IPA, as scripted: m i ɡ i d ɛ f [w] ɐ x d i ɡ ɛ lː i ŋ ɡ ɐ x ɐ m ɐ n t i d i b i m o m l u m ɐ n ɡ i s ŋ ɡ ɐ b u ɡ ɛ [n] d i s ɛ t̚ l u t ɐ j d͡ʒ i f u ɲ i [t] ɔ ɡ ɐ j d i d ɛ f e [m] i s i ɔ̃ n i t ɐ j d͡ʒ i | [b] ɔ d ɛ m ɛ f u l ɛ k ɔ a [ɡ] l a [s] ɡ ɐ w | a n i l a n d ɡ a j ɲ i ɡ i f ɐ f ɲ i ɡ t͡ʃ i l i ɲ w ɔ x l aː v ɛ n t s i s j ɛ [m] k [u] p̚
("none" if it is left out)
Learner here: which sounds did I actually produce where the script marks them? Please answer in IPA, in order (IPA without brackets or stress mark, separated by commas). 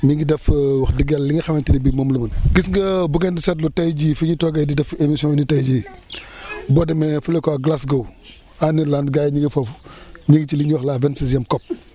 w, n, t, m, b, ɡ, s, m, ɔ